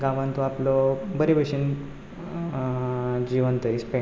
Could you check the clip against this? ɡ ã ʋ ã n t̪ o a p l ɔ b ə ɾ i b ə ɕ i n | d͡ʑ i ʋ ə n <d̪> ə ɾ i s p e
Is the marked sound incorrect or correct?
incorrect